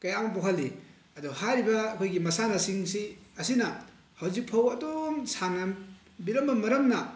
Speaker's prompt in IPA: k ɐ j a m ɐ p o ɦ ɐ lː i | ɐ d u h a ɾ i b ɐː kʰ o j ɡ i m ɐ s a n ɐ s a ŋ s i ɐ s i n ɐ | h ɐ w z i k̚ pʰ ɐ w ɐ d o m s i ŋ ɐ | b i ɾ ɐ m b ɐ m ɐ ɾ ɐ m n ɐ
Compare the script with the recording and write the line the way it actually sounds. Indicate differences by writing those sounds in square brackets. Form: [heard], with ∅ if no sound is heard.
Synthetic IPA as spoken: k ɐ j a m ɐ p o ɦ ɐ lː i | ɐ d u h a ɾ i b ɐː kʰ o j ɡ i m ɐ s a n ɐ s [i] ŋ s i ɐ s i n ɐ | h ɐ w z i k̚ pʰ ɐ w ɐ d o m s [a] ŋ ɐ | b i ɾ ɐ m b ɐ m ɐ ɾ ɐ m n ɐ

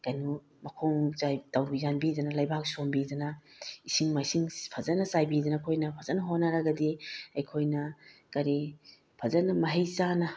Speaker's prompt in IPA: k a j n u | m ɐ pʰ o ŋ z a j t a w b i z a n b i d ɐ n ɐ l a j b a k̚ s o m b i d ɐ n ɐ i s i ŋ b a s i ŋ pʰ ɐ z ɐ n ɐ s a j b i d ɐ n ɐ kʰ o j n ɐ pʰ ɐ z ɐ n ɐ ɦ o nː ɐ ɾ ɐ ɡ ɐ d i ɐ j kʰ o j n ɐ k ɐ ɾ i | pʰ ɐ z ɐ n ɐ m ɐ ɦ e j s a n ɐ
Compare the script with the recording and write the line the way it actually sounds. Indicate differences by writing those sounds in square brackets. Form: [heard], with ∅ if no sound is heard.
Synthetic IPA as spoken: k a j n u | m ɐ [kʰ] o ŋ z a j t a w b i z a n b i d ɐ n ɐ l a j b a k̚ s o m b i d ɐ n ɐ i s i ŋ [m] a s i ŋ pʰ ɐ z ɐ n ɐ s a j b i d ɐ n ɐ kʰ o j n ɐ pʰ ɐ z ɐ n ɐ ɦ o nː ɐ ɾ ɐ ɡ ɐ d i ɐ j kʰ o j n ɐ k ɐ ɾ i | pʰ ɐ z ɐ n ɐ m ɐ ɦ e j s a n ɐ

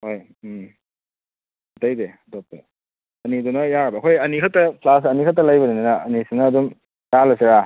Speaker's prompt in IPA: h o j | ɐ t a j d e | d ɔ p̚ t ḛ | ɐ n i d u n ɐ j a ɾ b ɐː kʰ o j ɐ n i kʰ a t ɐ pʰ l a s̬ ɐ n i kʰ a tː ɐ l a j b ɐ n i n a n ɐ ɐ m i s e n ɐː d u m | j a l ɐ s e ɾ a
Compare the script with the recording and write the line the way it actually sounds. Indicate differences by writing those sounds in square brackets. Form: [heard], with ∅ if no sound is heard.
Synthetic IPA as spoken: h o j | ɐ t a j d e | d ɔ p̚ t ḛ | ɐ n i d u n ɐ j a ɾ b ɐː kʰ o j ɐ n i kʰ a t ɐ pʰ l a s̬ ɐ n i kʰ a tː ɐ l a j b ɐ n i n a n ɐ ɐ [n] i s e n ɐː d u m | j a l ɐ s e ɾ a

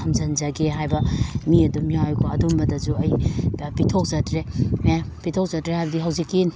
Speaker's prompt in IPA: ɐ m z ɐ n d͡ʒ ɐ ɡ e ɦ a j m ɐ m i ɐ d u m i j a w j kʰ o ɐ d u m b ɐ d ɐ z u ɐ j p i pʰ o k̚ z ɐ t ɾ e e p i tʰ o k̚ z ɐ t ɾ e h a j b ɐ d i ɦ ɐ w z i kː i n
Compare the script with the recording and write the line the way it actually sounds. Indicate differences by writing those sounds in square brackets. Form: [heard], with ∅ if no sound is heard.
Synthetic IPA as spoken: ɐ m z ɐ n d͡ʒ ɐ ɡ e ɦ a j [b] ɐ m i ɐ d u m i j a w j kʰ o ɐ d u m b ɐ d ɐ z u ɐ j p i [tʰ] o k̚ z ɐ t ɾ e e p i tʰ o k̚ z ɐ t ɾ e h a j b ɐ d i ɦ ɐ w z i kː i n

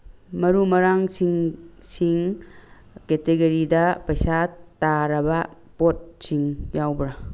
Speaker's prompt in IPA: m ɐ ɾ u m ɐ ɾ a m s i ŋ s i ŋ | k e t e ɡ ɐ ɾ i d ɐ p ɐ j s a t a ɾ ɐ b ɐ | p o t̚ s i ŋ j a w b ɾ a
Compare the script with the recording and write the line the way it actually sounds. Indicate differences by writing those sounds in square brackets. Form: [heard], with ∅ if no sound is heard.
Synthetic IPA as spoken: m ɐ ɾ u m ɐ ɾ a [ŋ] s i ŋ s i ŋ | k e t e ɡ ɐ ɾ i d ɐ p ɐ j s a t a ɾ ɐ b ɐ | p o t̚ s i ŋ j a w b ɾ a

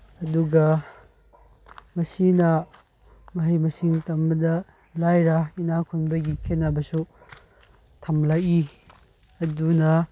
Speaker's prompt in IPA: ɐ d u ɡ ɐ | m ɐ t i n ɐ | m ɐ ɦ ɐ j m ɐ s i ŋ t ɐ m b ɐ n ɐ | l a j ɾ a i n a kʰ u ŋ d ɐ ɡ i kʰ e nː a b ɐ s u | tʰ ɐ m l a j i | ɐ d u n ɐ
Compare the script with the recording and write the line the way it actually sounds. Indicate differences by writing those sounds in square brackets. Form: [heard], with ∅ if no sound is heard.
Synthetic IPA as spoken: ɐ d u ɡ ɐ | m ɐ [s] i n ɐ | m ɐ ɦ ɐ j m ɐ s i ŋ t ɐ m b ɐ [d] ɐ | l a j ɾ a i n a kʰ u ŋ [b] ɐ ɡ i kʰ e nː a b ɐ s u | tʰ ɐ m l a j i | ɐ d u n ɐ

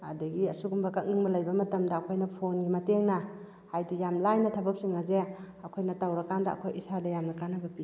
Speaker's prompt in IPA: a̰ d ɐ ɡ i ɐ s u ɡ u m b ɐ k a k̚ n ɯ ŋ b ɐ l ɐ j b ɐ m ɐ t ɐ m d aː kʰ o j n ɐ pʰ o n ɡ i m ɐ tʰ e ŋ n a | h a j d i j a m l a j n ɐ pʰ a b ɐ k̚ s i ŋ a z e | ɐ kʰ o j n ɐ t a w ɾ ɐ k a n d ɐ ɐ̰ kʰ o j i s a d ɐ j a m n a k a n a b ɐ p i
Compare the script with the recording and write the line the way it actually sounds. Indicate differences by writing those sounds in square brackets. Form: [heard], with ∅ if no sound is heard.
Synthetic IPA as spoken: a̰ d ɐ ɡ i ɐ s u ɡ u m b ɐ k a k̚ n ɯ ŋ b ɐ l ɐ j b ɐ m ɐ t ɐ m d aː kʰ o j n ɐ pʰ o n ɡ i m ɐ [t] e ŋ n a | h a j d i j a m l a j n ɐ [tʰ] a b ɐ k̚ s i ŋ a z e | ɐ kʰ o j n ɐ t a w ɾ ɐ k a n d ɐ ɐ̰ kʰ o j i s a d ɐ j a m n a k a n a b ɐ p i

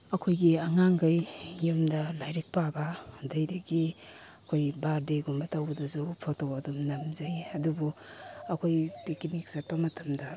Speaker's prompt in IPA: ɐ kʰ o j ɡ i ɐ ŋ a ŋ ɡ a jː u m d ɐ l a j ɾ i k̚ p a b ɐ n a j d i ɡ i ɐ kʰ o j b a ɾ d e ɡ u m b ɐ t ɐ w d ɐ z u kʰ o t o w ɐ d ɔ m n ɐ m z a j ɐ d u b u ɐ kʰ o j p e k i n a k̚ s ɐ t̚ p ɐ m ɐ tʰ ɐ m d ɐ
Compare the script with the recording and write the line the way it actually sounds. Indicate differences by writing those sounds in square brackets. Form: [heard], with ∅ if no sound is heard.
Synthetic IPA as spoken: ɐ kʰ o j ɡ i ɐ ŋ a ŋ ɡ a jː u m d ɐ l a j ɾ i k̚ p a b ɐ [d] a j d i ɡ i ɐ kʰ o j b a ɾ d e ɡ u m b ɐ t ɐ w d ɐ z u [pʰ] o t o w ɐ d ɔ m n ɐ m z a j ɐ d u b u ɐ kʰ o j p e k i n [i] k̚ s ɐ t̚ p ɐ m ɐ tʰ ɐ m d ɐ

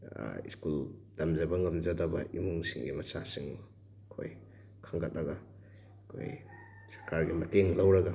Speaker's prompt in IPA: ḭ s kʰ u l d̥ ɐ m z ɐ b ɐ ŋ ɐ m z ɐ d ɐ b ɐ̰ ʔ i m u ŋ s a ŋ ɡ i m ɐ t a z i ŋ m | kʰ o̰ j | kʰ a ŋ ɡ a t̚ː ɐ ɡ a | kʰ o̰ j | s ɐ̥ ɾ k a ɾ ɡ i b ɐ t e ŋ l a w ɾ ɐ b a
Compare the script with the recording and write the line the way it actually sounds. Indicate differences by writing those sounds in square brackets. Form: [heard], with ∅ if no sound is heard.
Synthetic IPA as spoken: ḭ s [k] u l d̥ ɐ m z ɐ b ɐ ŋ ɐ m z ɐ d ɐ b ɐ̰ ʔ i m u ŋ s [i] ŋ ɡ i m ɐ [s] a [s] i ŋ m | kʰ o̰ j | kʰ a ŋ ɡ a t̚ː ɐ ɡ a | kʰ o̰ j | s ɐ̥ ɾ k a ɾ ɡ i [m] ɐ t e ŋ l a w ɾ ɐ [ɡ] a

